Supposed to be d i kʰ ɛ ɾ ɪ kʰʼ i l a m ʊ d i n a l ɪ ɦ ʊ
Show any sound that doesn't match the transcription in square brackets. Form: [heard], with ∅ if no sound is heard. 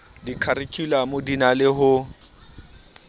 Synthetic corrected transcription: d i kʰ [a] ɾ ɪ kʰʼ i l a m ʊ d i n a l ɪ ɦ ʊ